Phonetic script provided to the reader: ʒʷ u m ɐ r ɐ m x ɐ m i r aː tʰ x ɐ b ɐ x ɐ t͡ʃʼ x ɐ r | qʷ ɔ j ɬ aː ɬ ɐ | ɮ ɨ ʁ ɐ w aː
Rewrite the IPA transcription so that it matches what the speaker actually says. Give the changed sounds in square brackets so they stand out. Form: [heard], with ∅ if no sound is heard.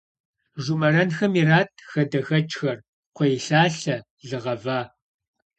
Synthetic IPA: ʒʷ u m ɐ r ɐ [n] x ɐ m i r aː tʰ x ɐ [d] ɐ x ɐ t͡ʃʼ x ɐ r | qʷ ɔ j ɬ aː ɬ ɐ | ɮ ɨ ʁ ɐ [v] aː